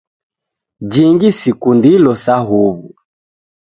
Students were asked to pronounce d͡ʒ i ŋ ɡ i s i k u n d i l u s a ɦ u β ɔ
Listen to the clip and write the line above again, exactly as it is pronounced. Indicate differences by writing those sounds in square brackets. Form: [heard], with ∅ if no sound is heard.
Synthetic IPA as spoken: d͡ʒ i ŋ ɡ i s i k u n d i l [ɔ] s a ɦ u β [u]